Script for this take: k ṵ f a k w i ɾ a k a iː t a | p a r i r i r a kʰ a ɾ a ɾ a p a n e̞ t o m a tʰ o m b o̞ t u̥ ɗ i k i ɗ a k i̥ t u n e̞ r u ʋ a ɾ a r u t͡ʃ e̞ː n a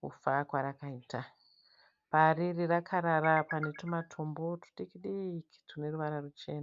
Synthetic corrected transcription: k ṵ f a k w a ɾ a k a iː t a | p a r i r i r a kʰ a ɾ a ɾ a p a n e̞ t o m a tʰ o m b o̞ t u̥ ɗ i k i ɗ i k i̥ t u n e̞ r u ʋ a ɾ a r u t͡ʃ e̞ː n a